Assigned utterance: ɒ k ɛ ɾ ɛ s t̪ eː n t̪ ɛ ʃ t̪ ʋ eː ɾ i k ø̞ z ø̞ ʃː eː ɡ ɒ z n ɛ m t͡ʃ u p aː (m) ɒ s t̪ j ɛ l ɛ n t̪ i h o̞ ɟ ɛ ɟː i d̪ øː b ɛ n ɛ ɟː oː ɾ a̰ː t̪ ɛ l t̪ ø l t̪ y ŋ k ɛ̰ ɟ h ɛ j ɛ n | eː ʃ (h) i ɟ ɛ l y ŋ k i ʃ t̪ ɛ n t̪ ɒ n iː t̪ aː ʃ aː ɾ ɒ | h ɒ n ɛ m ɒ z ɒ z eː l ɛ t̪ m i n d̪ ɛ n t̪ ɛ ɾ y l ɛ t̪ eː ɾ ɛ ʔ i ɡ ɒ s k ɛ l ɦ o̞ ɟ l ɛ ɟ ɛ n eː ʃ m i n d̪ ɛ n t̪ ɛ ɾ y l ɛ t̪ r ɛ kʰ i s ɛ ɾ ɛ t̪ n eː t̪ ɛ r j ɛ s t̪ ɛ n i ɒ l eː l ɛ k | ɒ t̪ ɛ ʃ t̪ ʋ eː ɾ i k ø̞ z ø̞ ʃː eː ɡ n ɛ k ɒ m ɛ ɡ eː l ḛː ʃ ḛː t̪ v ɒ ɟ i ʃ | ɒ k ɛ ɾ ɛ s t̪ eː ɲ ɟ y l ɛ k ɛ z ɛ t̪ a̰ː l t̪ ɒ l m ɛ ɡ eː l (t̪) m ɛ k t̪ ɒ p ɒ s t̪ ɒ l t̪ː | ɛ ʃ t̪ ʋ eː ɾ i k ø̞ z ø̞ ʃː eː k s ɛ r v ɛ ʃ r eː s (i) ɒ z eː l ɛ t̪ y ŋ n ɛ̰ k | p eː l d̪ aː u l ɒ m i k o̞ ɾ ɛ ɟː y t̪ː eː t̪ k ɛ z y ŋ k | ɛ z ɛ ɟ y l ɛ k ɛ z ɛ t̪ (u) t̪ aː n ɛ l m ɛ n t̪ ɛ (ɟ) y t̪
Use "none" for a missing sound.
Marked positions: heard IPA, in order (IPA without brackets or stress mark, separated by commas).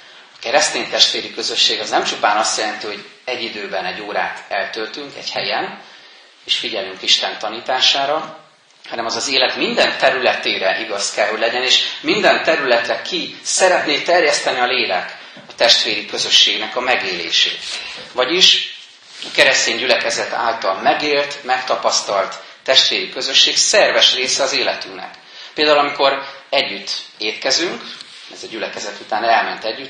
n, f, t̪, ɛ, u, ɟː